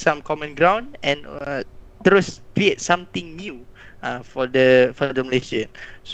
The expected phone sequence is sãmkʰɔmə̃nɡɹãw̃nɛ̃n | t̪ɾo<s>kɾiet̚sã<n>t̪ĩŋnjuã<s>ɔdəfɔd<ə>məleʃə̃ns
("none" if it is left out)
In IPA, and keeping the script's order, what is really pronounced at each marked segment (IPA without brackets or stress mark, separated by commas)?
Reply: s, m, f, ə